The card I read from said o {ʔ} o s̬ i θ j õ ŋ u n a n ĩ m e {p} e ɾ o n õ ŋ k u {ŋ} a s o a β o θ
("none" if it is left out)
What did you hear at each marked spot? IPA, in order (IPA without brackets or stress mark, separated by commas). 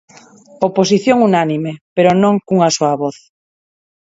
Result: p, p, ŋ